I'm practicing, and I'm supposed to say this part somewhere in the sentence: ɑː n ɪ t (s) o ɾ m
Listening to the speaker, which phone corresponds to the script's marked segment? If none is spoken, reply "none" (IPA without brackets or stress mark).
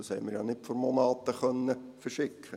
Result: f